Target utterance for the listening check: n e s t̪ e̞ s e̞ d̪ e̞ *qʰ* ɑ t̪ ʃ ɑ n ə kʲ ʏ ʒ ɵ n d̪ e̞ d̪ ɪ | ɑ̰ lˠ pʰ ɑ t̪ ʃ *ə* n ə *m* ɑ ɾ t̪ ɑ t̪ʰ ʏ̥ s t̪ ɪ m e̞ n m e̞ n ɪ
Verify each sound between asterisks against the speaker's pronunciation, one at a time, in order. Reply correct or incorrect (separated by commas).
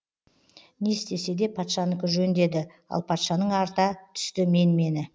incorrect, incorrect, incorrect